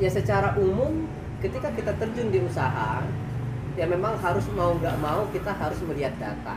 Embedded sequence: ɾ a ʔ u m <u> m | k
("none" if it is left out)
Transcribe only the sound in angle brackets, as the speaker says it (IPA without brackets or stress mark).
ʊ